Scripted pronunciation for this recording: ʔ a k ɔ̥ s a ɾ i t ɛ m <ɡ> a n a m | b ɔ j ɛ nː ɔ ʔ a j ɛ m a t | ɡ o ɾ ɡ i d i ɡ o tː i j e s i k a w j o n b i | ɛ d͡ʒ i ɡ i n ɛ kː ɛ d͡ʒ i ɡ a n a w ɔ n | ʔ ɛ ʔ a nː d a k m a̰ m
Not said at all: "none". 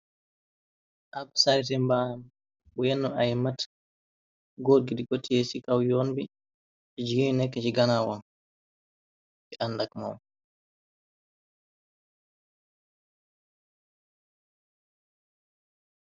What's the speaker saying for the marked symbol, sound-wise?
b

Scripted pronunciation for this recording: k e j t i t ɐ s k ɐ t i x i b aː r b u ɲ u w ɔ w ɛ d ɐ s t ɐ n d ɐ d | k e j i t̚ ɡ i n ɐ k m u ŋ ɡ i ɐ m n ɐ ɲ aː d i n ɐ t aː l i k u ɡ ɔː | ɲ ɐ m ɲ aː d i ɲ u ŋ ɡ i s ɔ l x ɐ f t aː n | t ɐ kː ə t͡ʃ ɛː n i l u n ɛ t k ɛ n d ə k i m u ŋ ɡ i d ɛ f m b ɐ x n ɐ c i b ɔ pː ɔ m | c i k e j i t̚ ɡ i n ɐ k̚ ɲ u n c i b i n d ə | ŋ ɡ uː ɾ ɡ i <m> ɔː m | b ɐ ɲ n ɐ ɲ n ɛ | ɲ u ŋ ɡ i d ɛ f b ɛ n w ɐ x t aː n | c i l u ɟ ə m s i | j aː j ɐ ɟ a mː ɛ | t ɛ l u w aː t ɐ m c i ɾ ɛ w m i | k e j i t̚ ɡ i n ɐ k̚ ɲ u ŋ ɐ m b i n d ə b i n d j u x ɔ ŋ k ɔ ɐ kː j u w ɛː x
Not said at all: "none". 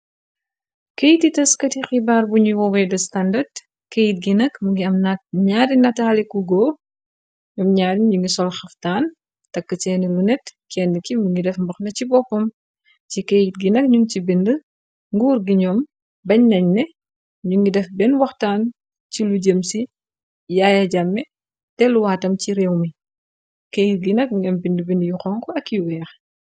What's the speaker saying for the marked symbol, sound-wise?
ɲ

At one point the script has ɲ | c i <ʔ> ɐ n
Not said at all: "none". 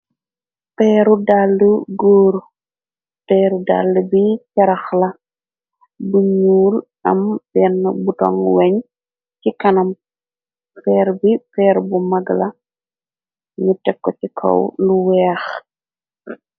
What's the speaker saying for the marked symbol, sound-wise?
k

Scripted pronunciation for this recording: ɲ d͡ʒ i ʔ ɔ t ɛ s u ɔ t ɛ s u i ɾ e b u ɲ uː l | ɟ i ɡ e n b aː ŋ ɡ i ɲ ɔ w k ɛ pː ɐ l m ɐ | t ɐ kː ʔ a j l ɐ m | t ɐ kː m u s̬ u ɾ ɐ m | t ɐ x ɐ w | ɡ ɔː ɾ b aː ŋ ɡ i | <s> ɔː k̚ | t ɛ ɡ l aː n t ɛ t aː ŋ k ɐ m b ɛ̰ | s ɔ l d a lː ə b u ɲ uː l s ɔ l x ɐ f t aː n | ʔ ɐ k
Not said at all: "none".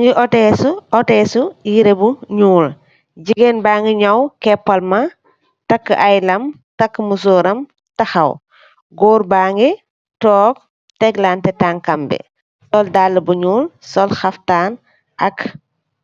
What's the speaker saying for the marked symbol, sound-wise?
t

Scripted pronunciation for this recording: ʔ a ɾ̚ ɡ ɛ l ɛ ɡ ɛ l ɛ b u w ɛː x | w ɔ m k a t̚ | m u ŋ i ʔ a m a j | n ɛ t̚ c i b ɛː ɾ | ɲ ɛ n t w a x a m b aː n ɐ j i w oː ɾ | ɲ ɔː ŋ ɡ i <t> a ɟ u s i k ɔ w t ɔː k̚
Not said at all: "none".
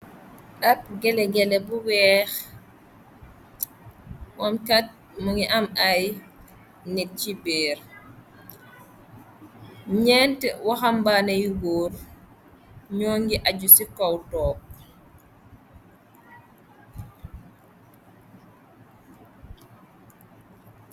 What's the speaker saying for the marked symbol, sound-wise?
ʔ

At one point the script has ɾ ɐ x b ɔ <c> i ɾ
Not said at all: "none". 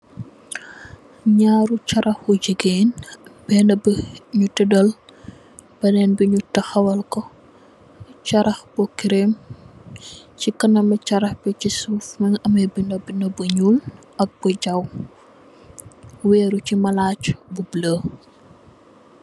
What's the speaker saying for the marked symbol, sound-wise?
k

